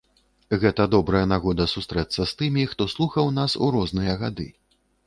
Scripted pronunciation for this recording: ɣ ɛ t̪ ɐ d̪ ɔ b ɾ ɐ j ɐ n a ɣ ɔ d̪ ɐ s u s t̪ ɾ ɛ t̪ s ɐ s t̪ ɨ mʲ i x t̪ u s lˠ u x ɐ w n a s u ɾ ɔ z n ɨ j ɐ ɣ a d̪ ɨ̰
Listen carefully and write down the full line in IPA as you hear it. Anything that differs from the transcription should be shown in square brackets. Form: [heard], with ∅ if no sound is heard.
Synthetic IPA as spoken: ɣ ɛ t̪ ɐ d̪ ɔ b ɾ ɐ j ɐ n a ɣ ɔ d̪ ɐ s u s t̪ ɾ ɛ t̪ s ɐ s t̪ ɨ mʲ i x t̪ [ɔ] s lˠ u x ɐ w n a s u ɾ ɔ z n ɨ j ɐ ɣ a d̪ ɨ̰

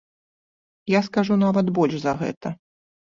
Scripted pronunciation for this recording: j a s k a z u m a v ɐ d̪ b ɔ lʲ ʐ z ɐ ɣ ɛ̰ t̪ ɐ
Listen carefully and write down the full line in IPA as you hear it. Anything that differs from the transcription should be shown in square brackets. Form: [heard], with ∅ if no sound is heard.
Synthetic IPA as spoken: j a s k a [ʐ] u [n] a v ɐ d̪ b ɔ lʲ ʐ z ɐ ɣ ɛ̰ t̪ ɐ

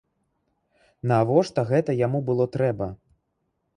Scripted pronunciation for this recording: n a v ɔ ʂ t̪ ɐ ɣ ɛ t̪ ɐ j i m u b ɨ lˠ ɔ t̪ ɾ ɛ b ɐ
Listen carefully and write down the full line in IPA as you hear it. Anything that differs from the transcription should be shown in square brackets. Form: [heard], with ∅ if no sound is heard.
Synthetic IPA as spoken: n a v ɔ ʂ t̪ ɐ ɣ ɛ t̪ ɐ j [a] m u b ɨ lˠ ɔ t̪ ɾ ɛ b ɐ

